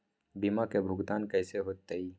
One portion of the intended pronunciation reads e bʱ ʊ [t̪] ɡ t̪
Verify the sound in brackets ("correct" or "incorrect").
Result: incorrect